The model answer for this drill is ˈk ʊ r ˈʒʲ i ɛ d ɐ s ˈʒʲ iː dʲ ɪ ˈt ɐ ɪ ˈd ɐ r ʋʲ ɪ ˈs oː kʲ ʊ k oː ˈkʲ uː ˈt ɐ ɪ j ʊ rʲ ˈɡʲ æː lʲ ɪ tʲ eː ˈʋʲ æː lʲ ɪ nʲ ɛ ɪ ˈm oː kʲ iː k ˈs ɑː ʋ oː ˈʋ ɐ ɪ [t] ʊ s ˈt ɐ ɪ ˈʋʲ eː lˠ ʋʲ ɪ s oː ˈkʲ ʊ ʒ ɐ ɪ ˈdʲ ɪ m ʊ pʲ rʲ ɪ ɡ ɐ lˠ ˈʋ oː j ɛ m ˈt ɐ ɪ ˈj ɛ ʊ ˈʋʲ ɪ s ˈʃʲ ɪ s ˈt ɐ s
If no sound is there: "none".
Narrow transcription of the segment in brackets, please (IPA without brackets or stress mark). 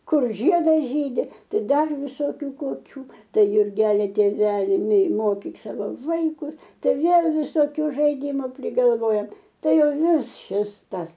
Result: k